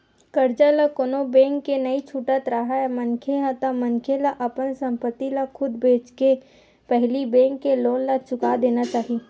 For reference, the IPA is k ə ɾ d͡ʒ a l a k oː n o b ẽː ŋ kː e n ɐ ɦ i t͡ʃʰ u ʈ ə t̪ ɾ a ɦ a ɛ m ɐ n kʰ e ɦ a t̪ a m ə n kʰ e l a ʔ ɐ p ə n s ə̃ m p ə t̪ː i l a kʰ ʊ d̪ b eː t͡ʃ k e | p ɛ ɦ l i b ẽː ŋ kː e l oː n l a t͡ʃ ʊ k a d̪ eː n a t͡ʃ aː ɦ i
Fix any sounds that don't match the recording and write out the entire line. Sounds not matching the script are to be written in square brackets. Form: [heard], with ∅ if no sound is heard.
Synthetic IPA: k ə ɾ d͡ʒ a l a k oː n o b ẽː ŋ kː e n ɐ [∅] i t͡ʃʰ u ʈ ə t̪ ɾ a ɦ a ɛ m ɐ n kʰ e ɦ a t̪ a m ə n kʰ e l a ʔ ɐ p ə n s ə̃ m p ə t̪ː i l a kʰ ʊ d̪ b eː t͡ʃ k e | p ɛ ɦ l i b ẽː ŋ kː e l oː n l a t͡ʃ ʊ k a d̪ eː n a t͡ʃ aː ɦ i